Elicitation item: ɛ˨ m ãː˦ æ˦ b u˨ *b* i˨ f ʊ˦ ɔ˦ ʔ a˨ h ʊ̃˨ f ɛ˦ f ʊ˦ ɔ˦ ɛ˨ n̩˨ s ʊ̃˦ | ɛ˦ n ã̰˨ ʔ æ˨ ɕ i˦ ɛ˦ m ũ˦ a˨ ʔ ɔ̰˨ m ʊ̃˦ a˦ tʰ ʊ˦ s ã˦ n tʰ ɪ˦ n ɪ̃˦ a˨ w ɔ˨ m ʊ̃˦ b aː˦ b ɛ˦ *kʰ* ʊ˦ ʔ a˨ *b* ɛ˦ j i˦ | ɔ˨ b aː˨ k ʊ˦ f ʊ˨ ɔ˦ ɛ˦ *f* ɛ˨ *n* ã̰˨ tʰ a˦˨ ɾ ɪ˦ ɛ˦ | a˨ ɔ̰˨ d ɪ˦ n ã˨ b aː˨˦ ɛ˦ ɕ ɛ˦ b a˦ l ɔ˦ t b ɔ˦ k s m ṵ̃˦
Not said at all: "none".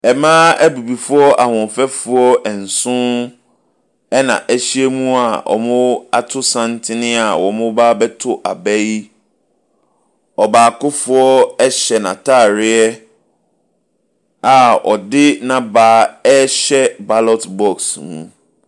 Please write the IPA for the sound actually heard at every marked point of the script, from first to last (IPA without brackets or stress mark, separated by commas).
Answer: b, tʰ, b, ɕ, n